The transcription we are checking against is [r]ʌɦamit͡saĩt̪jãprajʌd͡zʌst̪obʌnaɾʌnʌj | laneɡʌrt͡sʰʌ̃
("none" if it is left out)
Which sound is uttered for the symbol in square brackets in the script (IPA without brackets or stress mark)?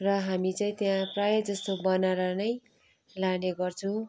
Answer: r